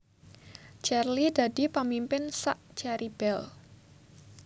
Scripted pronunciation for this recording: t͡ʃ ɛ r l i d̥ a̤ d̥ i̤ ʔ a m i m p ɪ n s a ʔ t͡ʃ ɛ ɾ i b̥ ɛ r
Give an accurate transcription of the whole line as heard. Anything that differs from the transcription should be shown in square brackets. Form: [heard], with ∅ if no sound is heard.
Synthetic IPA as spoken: t͡ʃ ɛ r l i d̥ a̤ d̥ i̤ [p] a m i m p ɪ n s a ʔ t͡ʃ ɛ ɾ i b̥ ɛ [l]